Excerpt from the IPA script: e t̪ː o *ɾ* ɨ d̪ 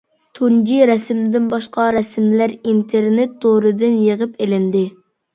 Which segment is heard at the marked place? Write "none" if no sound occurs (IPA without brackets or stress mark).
ɾ